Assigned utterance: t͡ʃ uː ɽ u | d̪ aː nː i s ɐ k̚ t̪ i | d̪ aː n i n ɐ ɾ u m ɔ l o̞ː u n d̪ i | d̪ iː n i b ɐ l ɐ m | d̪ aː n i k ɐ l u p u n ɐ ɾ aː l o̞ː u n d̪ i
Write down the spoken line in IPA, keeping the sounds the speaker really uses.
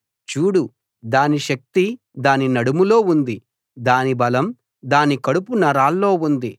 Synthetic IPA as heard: t͡ʃ uː ɽ u | d̪ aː n i ʃ ɐ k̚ t̪ i | d̪ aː n i n ɐ ɽ u m u l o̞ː u n d̪ i | d̪ aː n i b ɐ l ɐ m | d̪ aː n i k ɐ ɽ u p u n ɐ ɾ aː lː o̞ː u n d̪ i